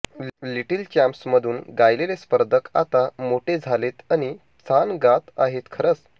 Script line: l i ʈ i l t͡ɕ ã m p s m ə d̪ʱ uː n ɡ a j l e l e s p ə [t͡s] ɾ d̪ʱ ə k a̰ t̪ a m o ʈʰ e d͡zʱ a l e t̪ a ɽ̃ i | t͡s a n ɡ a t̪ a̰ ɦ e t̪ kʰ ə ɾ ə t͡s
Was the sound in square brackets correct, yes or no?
no